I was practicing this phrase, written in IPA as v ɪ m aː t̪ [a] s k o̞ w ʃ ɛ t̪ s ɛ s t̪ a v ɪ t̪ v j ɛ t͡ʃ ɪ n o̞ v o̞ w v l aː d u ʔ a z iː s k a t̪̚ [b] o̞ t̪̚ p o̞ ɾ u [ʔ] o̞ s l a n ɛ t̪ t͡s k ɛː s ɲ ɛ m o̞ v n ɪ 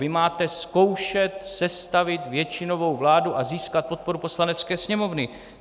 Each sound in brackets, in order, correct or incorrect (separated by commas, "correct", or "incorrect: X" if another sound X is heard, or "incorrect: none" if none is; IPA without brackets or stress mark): incorrect: ɛ, incorrect: p, incorrect: p